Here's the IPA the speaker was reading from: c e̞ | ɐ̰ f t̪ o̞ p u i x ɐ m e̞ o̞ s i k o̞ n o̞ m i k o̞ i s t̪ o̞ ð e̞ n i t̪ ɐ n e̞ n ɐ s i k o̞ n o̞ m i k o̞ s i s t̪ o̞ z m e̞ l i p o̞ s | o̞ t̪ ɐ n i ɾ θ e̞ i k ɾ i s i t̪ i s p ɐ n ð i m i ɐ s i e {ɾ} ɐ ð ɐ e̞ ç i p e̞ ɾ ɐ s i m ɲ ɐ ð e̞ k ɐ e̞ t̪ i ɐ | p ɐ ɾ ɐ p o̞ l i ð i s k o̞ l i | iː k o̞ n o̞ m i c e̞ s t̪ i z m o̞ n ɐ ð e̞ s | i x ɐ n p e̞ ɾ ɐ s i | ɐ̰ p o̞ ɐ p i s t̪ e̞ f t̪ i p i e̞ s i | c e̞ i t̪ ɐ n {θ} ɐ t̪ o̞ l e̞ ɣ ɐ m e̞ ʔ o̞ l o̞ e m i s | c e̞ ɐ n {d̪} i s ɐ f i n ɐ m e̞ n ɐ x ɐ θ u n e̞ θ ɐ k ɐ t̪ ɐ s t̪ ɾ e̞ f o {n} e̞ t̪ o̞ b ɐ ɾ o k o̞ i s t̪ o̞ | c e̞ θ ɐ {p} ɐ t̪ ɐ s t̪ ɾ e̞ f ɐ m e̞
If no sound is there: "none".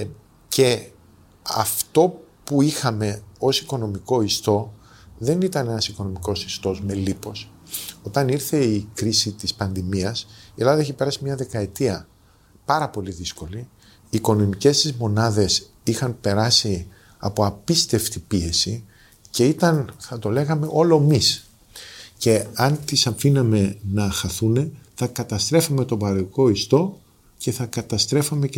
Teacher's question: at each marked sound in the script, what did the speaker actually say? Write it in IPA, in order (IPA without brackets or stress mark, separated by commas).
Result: l, θ, t̪, m, k